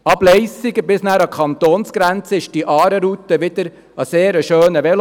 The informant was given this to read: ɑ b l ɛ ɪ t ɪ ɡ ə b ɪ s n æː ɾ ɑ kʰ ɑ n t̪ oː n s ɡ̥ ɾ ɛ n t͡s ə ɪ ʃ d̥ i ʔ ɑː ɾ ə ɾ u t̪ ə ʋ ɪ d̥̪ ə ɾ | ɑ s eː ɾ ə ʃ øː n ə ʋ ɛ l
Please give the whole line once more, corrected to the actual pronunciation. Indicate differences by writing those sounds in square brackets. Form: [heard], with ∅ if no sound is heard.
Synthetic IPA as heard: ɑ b l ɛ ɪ [s] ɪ ɡ ə b ɪ s n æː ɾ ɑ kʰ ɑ n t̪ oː n s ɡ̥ ɾ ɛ n t͡s ə ɪ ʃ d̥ i ʔ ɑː ɾ ə ɾ u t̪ ə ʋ ɪ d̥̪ ə ɾ | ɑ s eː ɾ ə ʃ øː n ə ʋ ɛ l